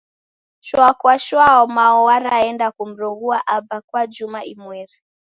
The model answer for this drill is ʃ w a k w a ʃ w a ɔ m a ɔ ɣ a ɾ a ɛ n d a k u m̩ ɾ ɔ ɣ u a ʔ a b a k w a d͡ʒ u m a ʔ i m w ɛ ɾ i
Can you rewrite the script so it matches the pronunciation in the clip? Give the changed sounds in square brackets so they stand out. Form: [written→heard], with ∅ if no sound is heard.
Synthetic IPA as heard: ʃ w a k w a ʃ w a ɔ m a ɔ [ɣ→w] a ɾ a ɛ n d a k u m̩ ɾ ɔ ɣ u a ʔ a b a k w a d͡ʒ u m a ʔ i m w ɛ ɾ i

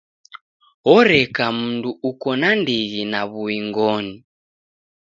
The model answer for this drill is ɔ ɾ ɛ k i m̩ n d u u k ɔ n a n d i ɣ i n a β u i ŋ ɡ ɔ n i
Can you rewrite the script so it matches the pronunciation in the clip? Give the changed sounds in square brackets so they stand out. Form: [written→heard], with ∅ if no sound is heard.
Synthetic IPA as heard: ɔ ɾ ɛ k [i→a] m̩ n d u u k ɔ n a n d i ɣ i n a β u i ŋ ɡ ɔ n i

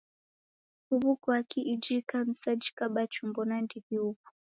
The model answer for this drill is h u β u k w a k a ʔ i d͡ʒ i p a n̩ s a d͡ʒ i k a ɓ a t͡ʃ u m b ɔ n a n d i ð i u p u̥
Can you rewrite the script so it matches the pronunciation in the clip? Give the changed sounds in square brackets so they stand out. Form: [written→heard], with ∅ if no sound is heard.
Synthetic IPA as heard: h u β u k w a k [a→i] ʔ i d͡ʒ i [p→k] a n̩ s a d͡ʒ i k a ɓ a t͡ʃ u m b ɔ n a n d i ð i u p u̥

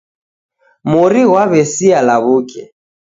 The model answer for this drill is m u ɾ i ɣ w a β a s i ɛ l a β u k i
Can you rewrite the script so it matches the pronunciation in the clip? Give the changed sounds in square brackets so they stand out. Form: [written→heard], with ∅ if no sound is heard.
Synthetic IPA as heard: m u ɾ i ɣ w a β [a→ɛ] s i [ɛ→a] l a β u k [i→ɛ]

